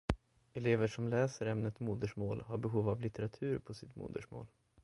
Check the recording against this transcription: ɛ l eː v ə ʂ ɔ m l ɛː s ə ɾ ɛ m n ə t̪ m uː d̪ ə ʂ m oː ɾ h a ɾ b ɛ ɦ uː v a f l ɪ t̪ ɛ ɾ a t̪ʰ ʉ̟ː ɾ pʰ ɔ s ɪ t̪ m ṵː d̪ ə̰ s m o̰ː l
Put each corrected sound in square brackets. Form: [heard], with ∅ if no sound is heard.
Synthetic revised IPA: ɛ l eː v ə ʂ ɔ m l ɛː s ə ɾ ɛ m n ə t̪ m uː d̪ ə ʂ m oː [l] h a ɾ b ɛ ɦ uː v a [v] l ɪ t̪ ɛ ɾ a t̪ʰ ʉ̟ː ɾ pʰ ɔ s ɪ t̪ m ṵː d̪ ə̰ [ʂ] m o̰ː l